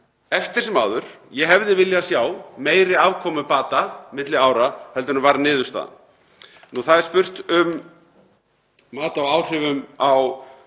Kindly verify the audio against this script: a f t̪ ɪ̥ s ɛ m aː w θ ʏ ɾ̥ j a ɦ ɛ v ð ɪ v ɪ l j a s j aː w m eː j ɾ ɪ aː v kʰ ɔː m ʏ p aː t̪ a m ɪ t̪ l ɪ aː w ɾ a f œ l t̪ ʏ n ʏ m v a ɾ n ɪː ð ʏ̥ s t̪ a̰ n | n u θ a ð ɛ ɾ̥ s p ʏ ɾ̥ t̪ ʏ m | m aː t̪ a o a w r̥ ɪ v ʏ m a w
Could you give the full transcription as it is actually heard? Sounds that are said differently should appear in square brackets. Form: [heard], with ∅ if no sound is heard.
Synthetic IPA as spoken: [ɛ] f t̪ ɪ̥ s ɛ m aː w [ð] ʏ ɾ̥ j [ɛ] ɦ ɛ v ð ɪ v ɪ l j a s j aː w m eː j ɾ ɪ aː v kʰ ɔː m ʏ p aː t̪ a m ɪ t̪ l ɪ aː w ɾ a [h] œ l t̪ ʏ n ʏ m v a ɾ n ɪː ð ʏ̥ s t̪ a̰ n | n u θ a ð ɛ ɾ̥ s p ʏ [r̥] t̪ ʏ m | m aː t̪ a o a w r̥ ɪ v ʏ m a w